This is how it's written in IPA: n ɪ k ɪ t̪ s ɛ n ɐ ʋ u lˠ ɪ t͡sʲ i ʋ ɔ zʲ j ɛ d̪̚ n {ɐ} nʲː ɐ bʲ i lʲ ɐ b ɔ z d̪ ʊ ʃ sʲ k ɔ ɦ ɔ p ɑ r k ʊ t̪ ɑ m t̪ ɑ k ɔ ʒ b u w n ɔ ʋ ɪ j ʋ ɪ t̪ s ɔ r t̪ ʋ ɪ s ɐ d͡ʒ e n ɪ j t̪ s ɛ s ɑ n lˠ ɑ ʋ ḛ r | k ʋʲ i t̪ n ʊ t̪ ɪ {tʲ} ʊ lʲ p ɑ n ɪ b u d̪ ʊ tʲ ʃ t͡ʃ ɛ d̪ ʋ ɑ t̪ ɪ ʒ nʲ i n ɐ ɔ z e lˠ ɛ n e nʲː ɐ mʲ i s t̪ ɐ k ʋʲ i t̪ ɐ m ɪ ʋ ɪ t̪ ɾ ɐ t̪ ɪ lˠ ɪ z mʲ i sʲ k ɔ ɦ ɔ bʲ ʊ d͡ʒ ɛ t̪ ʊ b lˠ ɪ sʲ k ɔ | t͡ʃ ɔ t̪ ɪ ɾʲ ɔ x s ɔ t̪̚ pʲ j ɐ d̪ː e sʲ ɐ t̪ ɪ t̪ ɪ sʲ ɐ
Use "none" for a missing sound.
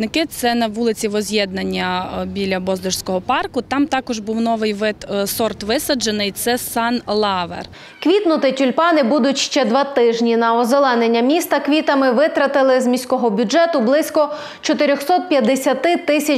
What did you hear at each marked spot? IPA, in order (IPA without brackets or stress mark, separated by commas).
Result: ɐ, tʲ